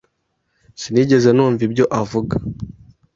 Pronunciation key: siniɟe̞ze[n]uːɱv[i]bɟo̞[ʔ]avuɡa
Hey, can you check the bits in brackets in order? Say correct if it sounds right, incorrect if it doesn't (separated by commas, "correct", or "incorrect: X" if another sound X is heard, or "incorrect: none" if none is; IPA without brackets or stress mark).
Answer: correct, correct, correct